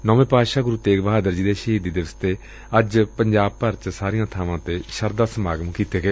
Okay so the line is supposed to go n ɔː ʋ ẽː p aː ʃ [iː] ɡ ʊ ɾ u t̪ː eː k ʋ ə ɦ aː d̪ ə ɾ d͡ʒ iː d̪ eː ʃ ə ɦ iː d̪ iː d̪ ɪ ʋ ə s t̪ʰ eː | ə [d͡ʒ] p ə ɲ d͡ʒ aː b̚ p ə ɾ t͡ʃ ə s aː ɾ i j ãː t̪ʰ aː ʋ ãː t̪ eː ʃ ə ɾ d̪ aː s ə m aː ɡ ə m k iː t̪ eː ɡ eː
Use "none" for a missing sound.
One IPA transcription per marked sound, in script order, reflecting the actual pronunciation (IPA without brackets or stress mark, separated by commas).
aː, d͡ʒ